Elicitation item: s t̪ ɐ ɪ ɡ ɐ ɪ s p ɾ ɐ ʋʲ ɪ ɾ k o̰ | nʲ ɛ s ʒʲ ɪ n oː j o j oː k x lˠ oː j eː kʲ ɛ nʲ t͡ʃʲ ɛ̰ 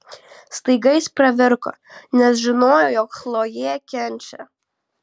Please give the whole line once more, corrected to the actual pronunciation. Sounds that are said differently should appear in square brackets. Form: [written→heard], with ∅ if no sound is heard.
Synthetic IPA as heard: s t̪ ɐ ɪ ɡ ɐ ɪ s p ɾ ɐ ʋʲ ɪ ɾ k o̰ | nʲ ɛ s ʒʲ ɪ n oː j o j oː k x lˠ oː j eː kʲ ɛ nʲ t͡ʃʲ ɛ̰